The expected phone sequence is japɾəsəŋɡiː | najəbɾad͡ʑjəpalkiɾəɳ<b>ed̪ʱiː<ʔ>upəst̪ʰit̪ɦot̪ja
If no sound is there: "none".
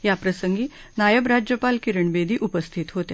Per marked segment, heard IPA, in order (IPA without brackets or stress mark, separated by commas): b, ʔ